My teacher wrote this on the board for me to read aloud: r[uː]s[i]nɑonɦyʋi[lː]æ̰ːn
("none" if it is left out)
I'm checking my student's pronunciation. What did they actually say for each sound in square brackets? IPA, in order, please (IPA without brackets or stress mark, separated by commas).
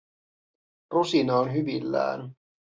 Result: u, i, lː